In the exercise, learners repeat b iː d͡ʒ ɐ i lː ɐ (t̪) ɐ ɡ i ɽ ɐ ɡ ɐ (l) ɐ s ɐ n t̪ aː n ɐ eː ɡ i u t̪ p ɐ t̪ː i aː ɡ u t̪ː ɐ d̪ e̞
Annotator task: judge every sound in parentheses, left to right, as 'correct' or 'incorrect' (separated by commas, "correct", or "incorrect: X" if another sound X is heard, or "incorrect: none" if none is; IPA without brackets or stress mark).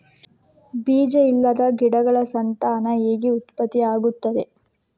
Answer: incorrect: d̪, incorrect: ɭ